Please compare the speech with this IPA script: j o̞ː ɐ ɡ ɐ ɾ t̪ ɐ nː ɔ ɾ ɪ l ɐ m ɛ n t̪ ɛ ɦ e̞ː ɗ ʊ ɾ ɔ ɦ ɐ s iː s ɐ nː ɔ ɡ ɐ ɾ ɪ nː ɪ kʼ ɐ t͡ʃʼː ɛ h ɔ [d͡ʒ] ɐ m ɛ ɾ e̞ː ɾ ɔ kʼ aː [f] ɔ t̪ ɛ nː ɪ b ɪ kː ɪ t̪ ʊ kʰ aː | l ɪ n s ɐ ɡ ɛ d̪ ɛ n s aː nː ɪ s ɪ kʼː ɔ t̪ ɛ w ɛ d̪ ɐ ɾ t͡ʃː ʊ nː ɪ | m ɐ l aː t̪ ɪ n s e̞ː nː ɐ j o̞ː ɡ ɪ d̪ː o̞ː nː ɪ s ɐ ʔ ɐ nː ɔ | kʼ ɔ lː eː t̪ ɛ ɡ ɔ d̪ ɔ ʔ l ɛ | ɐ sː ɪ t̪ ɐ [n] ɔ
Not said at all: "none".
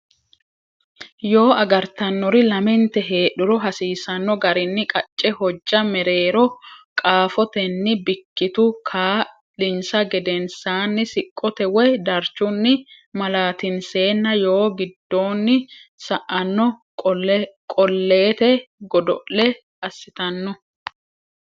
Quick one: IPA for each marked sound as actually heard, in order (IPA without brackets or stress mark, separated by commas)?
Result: d͡ʒː, f, nː